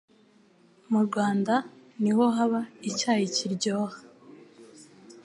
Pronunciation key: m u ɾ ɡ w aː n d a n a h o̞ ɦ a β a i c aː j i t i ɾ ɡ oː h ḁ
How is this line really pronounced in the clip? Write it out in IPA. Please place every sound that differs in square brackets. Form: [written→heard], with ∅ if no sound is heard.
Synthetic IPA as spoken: m u ɾ ɡ w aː n d a n [a→i] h o̞ ɦ a β a i c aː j i [t→c] i ɾ [ɡ→ɟ] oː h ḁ